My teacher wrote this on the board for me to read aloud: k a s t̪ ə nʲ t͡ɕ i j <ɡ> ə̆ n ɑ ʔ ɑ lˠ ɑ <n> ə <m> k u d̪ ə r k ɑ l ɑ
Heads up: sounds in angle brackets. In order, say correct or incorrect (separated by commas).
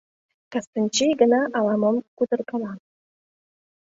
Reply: correct, incorrect, correct